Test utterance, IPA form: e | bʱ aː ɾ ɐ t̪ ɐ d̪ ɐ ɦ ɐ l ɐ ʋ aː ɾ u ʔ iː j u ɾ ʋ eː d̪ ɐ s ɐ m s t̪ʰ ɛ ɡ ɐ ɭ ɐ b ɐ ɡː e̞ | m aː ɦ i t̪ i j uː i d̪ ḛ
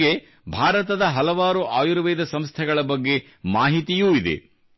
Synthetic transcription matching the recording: e | bʱ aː ɾ ɐ t̪ ɐ d̪ ɐ ɦ ɐ l ɐ ʋ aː ɾ u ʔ aː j u ɾ ʋ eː d̪ ɐ s ɐ m s t̪ʰ ɛ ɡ ɐ ɭ ɐ b ɐ ɡː e̞ | m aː ɦ i t̪ i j uː i d̪ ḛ